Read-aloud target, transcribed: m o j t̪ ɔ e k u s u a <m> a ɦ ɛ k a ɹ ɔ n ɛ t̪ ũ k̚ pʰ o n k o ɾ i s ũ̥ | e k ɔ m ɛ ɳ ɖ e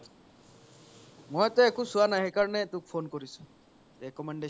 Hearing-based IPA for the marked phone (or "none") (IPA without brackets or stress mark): n